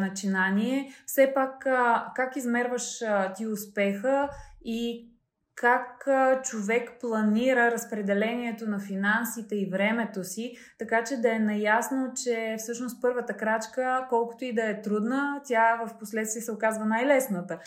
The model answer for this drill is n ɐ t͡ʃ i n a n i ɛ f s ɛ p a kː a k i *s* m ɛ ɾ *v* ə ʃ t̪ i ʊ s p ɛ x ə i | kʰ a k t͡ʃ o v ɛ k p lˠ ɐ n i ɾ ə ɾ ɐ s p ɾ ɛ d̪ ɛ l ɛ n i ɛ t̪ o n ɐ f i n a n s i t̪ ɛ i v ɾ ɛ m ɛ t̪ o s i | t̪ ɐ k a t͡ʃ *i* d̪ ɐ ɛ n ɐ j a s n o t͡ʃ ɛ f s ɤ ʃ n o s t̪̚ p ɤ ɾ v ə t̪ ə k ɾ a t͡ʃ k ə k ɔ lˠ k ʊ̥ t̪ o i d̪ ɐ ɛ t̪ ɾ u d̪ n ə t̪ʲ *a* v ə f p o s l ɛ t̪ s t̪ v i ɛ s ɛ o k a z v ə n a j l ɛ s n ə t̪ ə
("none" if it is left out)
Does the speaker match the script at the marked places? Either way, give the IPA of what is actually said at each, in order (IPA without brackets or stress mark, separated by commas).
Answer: z, v, ɛ, a